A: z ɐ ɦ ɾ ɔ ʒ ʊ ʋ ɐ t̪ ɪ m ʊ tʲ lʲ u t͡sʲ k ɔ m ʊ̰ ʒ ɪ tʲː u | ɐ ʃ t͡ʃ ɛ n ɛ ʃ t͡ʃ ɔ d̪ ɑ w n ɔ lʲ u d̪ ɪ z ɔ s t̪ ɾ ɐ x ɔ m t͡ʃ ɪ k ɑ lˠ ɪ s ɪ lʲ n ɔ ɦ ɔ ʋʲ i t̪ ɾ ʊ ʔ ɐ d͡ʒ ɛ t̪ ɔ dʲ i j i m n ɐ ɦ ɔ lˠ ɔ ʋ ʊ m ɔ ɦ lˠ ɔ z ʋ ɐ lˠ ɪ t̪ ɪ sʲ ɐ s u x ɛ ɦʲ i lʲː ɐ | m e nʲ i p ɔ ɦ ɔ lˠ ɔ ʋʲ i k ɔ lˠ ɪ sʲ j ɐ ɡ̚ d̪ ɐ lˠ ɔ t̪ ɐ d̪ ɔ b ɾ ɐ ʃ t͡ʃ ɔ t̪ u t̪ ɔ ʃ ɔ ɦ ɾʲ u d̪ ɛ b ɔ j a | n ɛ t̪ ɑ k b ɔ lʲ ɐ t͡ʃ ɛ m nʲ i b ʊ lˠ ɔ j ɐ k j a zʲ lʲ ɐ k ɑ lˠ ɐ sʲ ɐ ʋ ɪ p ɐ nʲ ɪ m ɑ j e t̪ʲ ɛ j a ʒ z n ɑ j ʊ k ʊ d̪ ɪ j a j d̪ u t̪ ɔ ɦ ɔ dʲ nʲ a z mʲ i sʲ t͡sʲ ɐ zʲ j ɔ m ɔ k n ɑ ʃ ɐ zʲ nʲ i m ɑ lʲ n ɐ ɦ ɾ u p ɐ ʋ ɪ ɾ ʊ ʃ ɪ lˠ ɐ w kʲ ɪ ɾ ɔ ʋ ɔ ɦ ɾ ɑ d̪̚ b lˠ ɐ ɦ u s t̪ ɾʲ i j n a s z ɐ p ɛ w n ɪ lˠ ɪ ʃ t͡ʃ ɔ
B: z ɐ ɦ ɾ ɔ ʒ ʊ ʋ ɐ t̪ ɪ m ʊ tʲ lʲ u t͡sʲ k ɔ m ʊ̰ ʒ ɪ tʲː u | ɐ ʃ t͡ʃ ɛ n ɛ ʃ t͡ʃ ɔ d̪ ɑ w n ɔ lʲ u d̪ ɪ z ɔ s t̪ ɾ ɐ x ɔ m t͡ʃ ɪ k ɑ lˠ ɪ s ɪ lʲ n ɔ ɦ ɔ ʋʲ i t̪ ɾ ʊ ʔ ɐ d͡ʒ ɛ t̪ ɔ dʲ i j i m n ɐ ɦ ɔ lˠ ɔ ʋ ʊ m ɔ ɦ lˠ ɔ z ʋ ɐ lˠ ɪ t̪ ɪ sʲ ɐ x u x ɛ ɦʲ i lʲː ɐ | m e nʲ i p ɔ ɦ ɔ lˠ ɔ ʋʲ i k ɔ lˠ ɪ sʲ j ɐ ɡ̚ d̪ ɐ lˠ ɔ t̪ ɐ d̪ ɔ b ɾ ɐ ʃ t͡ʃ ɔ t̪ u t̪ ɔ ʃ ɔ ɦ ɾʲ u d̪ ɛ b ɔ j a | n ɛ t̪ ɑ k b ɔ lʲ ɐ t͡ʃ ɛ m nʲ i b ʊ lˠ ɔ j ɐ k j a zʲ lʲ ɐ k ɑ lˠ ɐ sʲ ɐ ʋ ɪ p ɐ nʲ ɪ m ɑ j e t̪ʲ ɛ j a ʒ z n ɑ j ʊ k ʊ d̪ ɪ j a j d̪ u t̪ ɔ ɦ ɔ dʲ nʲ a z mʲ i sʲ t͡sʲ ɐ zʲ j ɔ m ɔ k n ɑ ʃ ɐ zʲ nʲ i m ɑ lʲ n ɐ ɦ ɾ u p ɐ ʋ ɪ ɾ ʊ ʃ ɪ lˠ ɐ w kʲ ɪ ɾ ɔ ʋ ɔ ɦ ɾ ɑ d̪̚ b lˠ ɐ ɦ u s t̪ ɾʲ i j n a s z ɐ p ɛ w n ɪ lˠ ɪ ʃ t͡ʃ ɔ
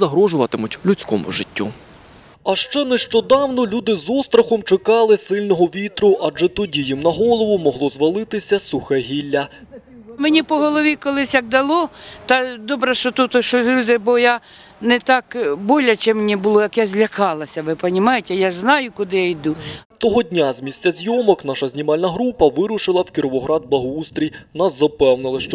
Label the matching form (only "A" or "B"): A